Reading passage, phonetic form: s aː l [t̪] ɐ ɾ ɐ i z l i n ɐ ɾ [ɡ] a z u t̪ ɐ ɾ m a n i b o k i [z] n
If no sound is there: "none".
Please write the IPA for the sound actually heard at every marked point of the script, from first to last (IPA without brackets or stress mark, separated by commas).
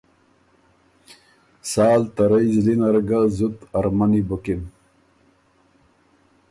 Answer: t̪, ɡ, none